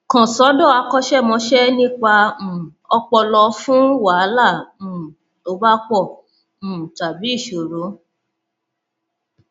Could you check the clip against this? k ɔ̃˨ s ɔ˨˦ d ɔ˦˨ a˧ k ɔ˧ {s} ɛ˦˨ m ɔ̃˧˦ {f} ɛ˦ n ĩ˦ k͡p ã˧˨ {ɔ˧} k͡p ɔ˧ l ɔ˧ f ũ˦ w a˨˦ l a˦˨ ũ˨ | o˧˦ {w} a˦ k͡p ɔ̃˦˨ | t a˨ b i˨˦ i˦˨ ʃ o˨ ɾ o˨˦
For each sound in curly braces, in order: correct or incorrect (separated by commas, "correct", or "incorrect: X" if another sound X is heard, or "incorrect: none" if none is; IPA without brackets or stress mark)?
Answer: incorrect: ʃ, incorrect: ʃ, correct, incorrect: b